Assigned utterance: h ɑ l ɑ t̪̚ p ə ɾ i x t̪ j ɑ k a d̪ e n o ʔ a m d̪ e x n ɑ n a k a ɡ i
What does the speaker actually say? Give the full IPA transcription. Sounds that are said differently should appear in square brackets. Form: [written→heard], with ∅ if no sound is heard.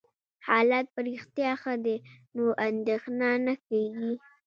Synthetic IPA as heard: h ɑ l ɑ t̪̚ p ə ɾ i x t̪ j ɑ [k→x] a d̪ e n o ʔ a [m→n] d̪ e x n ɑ n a k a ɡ i